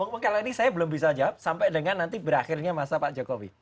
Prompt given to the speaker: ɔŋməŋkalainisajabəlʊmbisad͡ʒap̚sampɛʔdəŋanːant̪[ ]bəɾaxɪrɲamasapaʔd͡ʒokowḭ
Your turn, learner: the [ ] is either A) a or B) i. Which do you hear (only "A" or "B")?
B